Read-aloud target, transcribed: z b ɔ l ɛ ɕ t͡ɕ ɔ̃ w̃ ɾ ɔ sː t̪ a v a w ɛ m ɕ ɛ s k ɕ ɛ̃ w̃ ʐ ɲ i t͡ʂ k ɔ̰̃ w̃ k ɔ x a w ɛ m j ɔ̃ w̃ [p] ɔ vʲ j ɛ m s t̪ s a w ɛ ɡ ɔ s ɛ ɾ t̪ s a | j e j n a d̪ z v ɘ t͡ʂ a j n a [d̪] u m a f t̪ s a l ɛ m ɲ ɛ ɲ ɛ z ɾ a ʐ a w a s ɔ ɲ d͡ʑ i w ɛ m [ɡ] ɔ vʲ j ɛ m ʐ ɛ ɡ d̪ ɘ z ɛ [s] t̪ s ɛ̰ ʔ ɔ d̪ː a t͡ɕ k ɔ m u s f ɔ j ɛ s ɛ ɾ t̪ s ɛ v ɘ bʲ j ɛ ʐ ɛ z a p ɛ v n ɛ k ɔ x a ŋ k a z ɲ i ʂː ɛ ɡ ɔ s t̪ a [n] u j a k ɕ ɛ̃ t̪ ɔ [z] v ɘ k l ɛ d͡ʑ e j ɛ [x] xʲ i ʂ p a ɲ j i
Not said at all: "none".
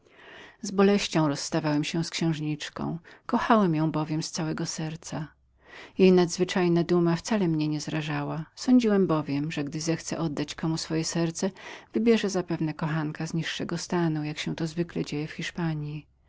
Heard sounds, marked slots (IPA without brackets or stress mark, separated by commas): b, d̪, b, x, n, z, f